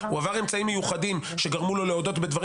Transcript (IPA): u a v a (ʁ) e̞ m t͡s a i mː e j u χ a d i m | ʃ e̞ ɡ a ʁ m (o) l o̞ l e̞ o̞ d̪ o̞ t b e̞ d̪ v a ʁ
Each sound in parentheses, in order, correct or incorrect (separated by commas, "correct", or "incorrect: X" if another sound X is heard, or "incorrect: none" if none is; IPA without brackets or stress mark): correct, incorrect: u